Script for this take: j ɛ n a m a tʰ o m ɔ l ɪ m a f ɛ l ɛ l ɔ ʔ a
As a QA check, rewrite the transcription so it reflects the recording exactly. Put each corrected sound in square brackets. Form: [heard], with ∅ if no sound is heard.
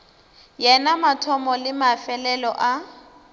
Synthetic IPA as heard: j ɛ n a m a tʰ [ɔ] m ɔ l ɪ m a f ɛ l ɛ l ɔ ʔ a